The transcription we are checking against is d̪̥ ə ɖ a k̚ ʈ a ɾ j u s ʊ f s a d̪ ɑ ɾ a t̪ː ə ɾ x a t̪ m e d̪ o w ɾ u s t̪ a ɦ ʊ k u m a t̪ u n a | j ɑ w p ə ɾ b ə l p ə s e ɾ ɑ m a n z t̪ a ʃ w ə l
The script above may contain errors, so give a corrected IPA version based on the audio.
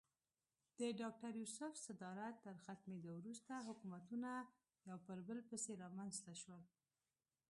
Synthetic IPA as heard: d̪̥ ə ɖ ɑ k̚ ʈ a ɾ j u s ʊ f s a d̪ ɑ ɾ a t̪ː ə ɾ x a t̪ m e d̪ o w ɾ u s t̪ a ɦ ʊ k u m a t̪ u n a | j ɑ w p ə ɾ b ə l p ə s e ɾ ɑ m a n z t̪ a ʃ w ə l